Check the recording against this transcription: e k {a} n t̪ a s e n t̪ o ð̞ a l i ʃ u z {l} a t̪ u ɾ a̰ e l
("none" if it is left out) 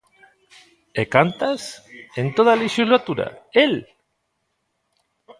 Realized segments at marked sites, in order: a, l

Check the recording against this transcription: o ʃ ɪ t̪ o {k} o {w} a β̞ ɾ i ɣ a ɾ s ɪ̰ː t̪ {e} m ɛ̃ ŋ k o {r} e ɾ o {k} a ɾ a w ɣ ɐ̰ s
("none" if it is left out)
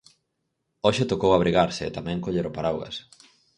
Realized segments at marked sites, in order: k, w, a, ʎ, p

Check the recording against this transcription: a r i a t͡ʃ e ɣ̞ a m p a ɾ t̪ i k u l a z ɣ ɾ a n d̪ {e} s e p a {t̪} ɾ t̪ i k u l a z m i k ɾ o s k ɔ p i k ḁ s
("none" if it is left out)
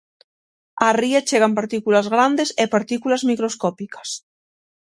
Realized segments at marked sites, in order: e, none

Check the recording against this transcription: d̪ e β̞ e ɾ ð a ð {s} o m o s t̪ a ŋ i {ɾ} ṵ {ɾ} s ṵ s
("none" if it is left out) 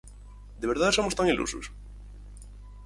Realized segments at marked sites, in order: s, l, none

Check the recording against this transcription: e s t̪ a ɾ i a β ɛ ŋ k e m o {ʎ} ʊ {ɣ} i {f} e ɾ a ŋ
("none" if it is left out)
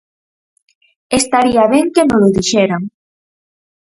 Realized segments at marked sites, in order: l, ð, ʃ

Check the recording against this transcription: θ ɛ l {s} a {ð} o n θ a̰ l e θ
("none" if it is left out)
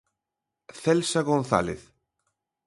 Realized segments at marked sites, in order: s, ɣ

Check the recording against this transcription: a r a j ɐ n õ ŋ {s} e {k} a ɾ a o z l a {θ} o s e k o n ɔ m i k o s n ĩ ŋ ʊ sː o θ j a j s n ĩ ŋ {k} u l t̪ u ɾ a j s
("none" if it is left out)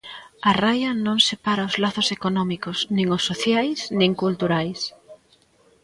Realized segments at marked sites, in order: s, p, θ, k

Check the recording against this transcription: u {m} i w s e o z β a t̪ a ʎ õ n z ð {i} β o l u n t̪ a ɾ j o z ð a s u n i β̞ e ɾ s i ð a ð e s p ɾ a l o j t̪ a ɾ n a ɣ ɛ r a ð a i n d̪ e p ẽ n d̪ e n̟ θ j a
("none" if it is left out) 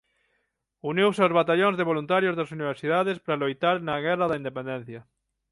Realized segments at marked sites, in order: n, e

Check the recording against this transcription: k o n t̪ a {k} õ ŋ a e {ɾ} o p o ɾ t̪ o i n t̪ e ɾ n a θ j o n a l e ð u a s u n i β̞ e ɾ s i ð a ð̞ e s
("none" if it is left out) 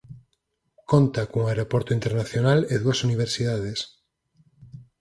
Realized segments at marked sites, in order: k, ɾ

